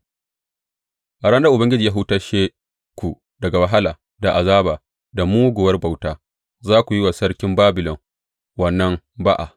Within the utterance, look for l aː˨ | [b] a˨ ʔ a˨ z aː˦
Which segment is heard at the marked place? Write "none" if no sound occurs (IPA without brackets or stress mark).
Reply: d